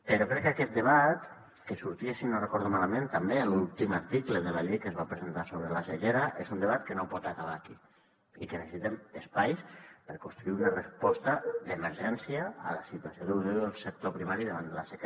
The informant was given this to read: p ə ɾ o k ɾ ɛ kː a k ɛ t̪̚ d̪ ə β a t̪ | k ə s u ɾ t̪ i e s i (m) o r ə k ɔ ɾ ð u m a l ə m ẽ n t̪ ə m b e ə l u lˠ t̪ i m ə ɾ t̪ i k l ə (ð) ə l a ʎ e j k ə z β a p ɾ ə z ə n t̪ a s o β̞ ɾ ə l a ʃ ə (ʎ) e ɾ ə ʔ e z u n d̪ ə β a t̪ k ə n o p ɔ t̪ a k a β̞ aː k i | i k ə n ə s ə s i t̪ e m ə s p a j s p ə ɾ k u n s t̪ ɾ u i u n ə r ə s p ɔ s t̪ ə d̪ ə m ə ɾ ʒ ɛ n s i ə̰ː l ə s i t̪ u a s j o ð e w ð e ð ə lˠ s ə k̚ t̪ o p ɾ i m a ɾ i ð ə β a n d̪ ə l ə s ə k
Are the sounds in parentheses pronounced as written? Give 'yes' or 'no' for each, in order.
no, yes, yes

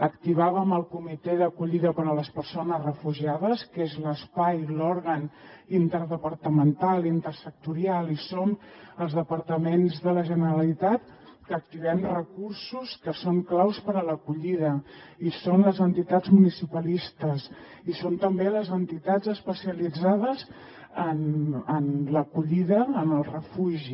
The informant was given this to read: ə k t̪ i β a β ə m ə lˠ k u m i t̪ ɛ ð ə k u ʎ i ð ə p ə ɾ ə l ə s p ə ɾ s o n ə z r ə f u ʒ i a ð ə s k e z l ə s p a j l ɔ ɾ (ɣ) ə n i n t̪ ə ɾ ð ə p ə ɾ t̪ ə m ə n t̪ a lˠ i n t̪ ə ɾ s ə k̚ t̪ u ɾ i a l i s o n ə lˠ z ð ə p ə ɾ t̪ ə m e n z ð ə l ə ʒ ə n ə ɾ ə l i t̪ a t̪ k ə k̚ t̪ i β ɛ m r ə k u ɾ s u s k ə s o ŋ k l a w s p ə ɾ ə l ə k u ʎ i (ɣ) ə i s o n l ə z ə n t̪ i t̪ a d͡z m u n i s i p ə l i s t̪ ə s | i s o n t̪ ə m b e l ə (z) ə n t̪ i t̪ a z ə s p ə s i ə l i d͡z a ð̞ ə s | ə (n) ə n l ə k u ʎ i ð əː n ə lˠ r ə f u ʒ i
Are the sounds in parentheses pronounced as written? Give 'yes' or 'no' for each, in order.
yes, no, yes, yes

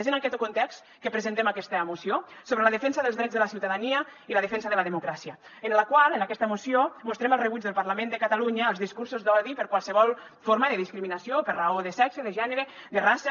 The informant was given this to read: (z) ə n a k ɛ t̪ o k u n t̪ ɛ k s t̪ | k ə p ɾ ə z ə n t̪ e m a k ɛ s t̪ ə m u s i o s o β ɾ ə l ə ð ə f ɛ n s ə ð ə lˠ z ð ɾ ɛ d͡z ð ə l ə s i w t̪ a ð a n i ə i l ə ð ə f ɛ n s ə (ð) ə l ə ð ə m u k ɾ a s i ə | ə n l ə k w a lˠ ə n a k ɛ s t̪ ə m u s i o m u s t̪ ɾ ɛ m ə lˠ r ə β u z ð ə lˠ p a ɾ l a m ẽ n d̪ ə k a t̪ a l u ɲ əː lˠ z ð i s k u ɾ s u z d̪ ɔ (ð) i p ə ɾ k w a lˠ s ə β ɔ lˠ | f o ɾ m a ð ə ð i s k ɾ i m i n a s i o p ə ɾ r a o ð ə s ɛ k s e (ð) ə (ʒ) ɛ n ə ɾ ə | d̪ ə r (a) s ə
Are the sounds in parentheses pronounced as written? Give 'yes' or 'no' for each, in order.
yes, yes, yes, yes, yes, yes

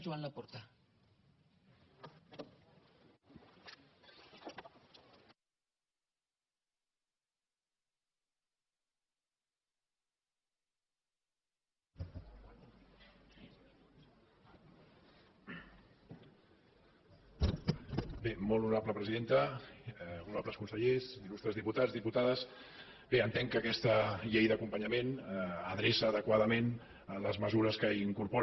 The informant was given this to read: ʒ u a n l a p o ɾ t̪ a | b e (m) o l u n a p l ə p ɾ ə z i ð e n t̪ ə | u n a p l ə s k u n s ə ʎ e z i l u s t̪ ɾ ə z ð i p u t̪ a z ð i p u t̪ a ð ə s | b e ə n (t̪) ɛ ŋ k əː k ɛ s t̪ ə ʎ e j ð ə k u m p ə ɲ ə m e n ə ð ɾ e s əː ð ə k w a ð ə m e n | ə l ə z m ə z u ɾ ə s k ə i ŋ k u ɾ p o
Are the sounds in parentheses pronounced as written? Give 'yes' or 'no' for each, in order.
yes, yes

